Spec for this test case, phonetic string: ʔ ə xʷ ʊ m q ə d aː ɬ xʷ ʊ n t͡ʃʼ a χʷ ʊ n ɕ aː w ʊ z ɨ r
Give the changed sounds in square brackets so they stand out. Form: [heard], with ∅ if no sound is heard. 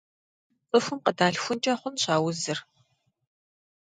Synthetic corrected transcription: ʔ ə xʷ ʊ m q ə d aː ɬ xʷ ʊ n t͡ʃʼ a χʷ ʊ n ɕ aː w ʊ z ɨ r